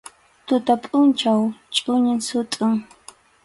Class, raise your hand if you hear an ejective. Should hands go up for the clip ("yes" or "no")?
yes